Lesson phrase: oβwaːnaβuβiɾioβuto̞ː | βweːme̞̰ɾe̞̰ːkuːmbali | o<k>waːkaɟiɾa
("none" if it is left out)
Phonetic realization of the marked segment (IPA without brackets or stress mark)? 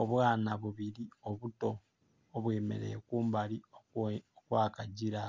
k